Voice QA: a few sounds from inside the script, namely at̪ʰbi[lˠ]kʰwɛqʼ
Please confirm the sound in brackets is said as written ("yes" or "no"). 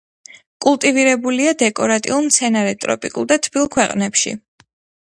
yes